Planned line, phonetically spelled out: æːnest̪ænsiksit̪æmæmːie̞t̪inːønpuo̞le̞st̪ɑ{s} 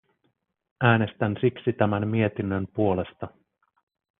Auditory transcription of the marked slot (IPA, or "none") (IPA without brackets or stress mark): none